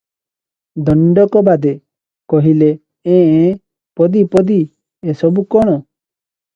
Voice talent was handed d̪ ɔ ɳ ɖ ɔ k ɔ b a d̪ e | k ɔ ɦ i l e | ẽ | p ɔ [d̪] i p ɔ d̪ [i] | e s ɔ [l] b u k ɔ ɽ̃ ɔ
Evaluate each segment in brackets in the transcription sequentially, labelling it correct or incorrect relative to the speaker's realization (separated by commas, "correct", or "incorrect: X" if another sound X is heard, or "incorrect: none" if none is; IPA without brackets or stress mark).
correct, correct, incorrect: none